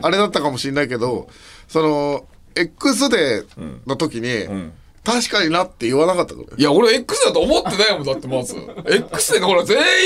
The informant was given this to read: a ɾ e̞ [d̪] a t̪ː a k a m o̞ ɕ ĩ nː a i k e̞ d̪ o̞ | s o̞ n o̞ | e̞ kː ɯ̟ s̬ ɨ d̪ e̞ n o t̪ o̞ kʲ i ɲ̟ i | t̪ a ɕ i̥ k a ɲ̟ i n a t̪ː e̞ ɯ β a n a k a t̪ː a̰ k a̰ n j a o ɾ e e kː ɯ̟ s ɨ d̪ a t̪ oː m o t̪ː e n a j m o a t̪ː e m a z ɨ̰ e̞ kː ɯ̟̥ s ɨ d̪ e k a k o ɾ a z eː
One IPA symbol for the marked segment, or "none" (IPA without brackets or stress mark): d̪